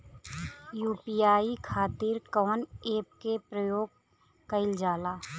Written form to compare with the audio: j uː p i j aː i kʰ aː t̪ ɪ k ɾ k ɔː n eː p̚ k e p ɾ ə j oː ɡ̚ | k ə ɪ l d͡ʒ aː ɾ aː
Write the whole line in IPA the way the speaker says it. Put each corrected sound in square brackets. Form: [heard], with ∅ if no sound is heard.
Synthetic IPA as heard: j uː p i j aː i kʰ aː t̪ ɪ [∅] ɾ k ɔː n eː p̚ k e p ɾ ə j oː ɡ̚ | k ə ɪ l d͡ʒ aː [l] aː